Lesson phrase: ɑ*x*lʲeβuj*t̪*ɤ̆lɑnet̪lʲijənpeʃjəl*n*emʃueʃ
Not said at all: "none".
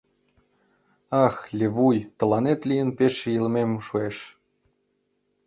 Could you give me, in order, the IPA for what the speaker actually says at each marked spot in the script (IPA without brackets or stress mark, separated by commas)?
x, t̪, m